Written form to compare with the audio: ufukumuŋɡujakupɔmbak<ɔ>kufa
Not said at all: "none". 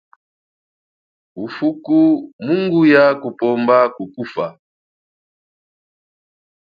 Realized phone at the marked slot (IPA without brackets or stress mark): u